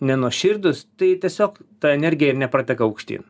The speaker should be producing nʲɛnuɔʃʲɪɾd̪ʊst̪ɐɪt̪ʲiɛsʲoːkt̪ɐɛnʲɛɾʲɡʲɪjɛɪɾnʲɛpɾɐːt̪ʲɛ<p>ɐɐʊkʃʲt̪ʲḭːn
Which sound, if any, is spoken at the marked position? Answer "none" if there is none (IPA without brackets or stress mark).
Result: k